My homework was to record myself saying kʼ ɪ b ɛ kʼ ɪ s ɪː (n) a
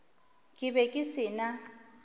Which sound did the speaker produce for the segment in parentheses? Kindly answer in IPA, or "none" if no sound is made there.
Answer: n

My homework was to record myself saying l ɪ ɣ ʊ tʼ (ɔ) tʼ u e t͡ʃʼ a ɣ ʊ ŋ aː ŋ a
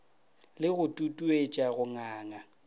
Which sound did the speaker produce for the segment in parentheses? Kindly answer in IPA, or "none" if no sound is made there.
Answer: u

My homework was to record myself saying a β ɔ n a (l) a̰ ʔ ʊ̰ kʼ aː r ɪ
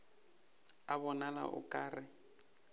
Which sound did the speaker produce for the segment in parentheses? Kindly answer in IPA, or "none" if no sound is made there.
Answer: l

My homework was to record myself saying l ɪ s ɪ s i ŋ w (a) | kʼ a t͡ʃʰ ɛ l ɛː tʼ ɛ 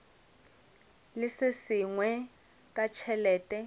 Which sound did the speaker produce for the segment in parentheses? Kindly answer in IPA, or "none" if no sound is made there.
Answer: ɛ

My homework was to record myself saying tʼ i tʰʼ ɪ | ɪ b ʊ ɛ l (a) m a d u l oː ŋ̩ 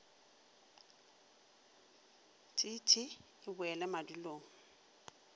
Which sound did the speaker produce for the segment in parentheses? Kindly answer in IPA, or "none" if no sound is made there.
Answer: ɛ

